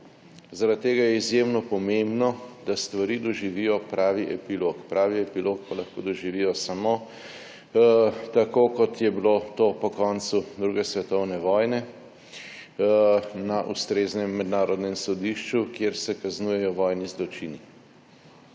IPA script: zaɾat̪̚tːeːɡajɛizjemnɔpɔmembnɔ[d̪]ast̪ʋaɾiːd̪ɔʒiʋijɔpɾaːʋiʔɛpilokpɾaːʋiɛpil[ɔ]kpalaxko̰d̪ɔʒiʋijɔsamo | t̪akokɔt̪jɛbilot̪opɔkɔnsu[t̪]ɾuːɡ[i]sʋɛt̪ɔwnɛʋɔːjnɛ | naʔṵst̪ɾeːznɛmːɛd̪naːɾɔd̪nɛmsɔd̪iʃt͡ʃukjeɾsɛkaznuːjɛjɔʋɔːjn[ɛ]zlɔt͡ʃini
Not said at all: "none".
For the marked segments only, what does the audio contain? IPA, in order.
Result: d̪, o, d̪, ɛ, i

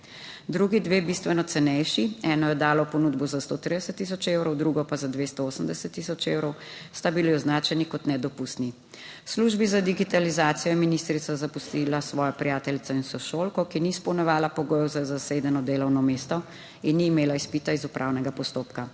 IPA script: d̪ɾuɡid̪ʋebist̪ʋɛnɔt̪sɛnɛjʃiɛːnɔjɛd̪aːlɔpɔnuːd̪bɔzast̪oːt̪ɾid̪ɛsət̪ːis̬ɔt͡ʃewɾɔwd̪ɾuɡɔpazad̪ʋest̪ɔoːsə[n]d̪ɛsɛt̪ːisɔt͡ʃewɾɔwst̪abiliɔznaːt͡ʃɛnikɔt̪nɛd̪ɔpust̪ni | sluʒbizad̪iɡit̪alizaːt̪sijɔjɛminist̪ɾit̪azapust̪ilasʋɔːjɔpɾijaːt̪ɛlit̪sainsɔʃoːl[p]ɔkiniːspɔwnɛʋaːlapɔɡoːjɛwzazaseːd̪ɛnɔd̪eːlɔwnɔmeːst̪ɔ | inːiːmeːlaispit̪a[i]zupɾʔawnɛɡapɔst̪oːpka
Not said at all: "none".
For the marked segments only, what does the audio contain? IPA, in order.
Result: m, k, i

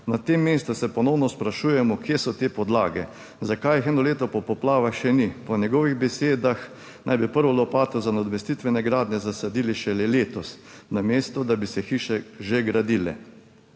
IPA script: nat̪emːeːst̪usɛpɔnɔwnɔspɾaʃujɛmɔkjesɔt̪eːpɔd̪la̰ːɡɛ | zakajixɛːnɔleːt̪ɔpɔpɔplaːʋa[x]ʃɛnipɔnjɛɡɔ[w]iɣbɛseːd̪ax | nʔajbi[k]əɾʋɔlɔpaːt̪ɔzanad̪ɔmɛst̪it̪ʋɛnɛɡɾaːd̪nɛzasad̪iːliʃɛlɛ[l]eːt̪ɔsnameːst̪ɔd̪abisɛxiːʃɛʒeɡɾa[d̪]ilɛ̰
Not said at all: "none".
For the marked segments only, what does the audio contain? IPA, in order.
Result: x, ʋ, p, l, d̪

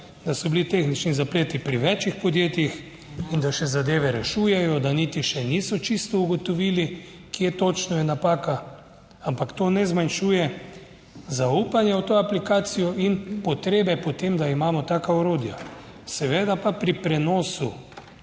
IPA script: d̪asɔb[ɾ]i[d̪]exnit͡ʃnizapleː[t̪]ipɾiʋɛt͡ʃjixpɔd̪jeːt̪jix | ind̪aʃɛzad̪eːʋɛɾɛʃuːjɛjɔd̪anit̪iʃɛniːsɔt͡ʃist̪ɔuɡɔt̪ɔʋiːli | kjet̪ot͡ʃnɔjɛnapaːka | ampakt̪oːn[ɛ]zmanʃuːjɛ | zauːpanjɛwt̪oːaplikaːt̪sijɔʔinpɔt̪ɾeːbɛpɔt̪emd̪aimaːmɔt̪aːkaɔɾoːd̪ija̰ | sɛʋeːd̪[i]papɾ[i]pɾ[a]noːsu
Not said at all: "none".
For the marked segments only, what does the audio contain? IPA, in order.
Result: l, t̪, t̪, ɛ, a, i, ɛ

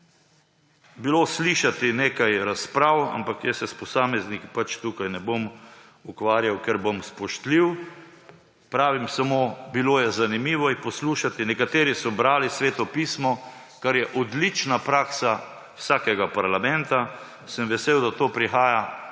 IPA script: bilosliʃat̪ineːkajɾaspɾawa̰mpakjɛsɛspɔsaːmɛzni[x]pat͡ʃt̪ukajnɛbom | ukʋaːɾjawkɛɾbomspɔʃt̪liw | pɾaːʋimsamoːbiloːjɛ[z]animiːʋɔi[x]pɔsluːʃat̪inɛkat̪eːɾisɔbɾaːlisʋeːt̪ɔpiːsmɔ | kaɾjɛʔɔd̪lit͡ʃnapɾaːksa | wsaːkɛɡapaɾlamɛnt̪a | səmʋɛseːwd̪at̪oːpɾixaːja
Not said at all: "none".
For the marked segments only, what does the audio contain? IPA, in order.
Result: k, z, x

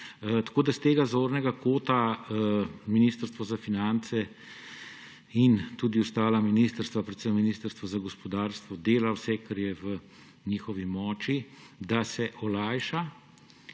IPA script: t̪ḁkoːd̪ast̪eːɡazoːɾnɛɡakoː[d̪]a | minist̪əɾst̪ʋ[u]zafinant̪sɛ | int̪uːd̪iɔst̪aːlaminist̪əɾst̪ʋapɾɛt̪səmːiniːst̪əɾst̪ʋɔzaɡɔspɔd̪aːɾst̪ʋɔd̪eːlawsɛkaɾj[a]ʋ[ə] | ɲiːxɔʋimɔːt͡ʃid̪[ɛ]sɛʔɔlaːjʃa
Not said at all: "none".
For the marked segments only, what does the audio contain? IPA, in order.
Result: t̪, ɔ, ɛ, ə, a

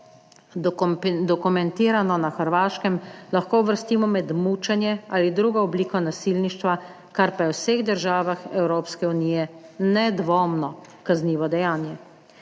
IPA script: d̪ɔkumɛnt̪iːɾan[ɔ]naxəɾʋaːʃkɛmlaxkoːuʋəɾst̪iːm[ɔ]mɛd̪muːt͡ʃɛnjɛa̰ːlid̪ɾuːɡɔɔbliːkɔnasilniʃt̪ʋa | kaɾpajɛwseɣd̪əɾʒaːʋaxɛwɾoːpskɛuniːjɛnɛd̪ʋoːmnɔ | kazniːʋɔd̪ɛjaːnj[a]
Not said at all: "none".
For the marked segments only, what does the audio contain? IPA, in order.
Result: ɔ, ɔ, ɛ

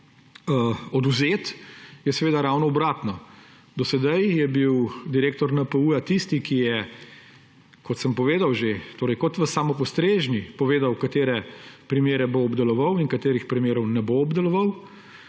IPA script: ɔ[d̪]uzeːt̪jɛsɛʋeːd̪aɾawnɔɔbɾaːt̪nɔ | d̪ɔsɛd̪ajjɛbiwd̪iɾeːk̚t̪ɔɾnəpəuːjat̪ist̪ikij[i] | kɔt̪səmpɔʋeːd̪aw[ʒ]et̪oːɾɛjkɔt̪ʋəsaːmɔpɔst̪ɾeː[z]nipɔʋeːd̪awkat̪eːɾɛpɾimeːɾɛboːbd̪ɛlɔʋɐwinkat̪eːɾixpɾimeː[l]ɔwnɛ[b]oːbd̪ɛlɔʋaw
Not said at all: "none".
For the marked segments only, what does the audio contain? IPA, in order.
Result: d̪, ɛ, ʒ, ʒ, ɾ, b

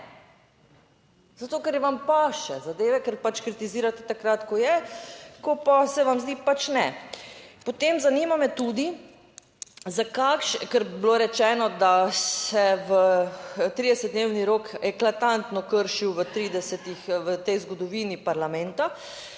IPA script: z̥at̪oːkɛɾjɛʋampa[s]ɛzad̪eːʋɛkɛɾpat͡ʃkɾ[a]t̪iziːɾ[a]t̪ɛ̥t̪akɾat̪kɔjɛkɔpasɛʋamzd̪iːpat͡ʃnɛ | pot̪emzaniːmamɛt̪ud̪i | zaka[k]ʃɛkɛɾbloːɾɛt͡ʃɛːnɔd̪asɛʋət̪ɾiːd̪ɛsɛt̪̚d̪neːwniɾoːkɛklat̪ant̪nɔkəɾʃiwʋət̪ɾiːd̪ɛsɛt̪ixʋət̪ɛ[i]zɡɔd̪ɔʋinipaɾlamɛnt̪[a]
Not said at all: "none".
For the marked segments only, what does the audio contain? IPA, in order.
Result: ʃ, i, a, k, j, a

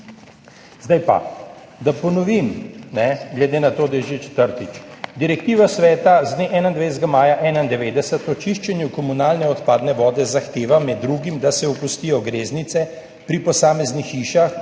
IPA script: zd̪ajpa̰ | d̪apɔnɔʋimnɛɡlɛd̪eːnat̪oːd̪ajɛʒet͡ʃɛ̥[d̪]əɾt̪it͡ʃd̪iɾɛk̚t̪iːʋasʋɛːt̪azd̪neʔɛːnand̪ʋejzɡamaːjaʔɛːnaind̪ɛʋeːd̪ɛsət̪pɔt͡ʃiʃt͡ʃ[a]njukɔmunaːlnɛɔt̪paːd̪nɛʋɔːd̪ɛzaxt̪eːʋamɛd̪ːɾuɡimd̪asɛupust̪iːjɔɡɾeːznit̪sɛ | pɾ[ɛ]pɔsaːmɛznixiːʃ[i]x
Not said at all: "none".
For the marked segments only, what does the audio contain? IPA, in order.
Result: t̪, ɛ, i, a

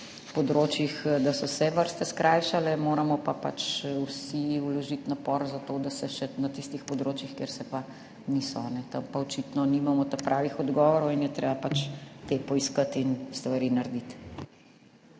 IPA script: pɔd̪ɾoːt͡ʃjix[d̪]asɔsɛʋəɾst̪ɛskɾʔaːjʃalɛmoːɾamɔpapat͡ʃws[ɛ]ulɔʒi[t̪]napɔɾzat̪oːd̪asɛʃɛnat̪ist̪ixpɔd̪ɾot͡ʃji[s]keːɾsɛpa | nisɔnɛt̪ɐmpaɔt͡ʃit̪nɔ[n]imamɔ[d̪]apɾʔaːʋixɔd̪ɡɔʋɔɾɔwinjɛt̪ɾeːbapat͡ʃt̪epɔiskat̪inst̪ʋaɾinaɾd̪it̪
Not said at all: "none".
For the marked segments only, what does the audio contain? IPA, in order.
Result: d̪, i, t̪, x, n, t̪

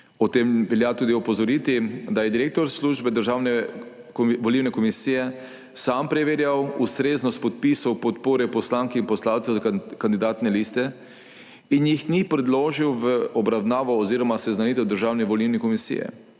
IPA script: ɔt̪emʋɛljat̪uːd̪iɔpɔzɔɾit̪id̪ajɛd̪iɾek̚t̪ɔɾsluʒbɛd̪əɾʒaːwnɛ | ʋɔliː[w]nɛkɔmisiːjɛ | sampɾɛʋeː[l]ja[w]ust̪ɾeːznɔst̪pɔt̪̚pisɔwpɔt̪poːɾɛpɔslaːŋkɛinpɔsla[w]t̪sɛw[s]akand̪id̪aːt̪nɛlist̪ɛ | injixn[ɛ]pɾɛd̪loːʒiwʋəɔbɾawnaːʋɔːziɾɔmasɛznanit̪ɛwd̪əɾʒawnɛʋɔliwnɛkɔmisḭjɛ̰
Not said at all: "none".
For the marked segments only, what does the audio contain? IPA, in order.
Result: w, ɾ, w, w, z, i

